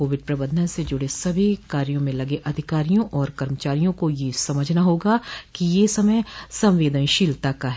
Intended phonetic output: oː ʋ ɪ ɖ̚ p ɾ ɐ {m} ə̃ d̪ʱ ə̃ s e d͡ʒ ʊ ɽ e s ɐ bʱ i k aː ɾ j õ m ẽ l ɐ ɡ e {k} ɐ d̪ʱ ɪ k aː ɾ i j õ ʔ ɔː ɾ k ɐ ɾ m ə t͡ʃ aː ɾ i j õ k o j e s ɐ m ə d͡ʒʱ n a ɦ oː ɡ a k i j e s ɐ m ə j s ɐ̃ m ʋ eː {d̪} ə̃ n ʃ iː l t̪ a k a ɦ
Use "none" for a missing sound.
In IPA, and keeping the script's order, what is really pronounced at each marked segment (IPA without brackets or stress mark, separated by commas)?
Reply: b, ʔ, d̪